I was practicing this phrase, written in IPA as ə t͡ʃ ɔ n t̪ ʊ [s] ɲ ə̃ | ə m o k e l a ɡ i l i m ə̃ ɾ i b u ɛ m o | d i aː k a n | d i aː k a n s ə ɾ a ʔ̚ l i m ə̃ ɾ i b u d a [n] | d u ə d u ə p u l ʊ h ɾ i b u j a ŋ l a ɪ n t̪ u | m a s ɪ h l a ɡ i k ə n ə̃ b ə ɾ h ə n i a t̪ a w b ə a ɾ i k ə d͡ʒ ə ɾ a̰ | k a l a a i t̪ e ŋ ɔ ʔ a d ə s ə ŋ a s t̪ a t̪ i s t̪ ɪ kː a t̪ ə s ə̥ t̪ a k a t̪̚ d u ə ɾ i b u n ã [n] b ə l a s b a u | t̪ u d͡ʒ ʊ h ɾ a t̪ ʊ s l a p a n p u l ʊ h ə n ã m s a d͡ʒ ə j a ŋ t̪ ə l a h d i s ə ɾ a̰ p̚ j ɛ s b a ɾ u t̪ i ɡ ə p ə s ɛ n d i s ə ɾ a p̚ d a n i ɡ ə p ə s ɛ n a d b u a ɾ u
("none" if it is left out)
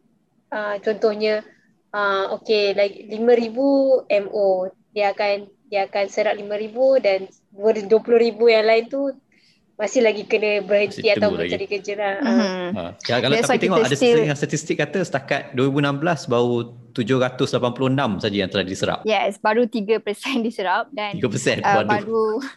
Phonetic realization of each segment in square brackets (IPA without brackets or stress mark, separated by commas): h, n, m